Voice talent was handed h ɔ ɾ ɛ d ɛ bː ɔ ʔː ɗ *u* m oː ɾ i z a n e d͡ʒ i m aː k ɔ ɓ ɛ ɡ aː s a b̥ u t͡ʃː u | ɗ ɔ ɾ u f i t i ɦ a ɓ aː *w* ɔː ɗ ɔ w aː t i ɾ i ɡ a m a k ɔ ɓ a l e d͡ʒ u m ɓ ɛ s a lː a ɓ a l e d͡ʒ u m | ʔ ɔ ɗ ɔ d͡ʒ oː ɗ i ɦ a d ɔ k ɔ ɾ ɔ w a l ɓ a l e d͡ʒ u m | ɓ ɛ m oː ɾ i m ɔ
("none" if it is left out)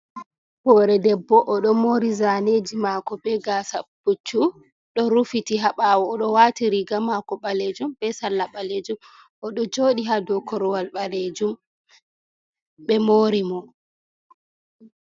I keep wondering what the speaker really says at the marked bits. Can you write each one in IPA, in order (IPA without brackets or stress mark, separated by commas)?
ɔ, w